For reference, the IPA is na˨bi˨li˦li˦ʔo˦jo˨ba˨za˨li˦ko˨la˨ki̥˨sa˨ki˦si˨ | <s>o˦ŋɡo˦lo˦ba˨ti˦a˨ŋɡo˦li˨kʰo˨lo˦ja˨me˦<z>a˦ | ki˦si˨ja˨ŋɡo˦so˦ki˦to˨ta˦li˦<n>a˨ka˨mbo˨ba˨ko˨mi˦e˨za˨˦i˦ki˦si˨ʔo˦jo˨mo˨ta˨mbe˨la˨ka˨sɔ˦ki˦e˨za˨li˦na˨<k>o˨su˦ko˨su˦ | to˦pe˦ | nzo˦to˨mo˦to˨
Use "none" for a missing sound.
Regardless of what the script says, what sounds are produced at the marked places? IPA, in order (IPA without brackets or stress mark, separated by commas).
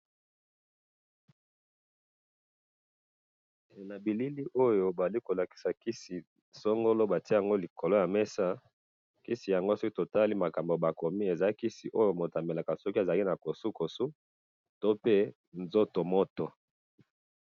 s, s, m, k